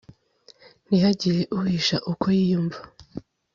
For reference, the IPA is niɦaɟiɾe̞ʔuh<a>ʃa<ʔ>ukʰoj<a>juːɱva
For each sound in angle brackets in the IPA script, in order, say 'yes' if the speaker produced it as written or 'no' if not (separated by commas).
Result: no, yes, no